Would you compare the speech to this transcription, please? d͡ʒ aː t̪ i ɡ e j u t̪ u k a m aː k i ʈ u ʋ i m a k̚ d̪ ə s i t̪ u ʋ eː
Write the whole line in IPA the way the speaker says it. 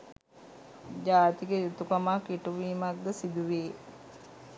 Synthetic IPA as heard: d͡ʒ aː t̪ i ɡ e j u t̪ u k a m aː k i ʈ u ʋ iː m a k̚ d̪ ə s i d̪ u ʋ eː